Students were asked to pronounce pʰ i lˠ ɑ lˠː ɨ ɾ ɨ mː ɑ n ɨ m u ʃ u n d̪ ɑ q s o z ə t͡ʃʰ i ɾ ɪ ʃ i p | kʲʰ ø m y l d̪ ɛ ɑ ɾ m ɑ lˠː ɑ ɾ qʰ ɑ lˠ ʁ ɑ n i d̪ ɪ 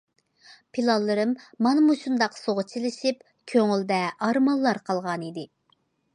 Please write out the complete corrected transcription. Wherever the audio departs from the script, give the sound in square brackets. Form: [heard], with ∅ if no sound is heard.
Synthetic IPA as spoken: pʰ i lˠ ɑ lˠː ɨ ɾ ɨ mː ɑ n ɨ m u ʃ u n d̪ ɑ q s o [ʁ] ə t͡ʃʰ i [l] ɪ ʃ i p | kʲʰ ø [ŋ] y l d̪ ɛ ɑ ɾ m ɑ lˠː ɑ ɾ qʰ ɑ lˠ ʁ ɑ n i d̪ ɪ